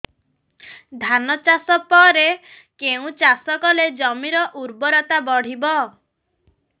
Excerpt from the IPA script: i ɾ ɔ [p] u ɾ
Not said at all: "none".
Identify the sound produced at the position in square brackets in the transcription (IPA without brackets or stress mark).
ʔ